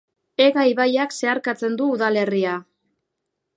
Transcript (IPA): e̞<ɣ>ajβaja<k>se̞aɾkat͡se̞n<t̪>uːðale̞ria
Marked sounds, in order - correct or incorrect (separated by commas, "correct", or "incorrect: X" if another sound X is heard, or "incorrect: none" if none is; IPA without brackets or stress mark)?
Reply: correct, correct, incorrect: d̪